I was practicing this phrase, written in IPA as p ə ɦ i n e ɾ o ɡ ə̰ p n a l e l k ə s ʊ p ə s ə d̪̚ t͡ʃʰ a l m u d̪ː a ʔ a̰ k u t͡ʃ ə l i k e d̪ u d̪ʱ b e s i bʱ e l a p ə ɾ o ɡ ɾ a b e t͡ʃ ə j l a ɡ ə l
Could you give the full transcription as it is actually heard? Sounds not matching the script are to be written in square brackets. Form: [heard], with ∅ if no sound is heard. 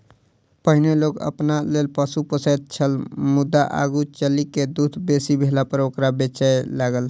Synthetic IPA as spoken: p ə ɦ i n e [l] o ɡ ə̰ p n a l e l [p] ə s [u] p ə s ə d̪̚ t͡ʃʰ [ə] l m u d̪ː a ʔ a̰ [ɡ] u t͡ʃ ə l i k e d̪ u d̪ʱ b e s i bʱ e l a p ə ɾ o [k] ɾ a b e t͡ʃ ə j l a ɡ ə l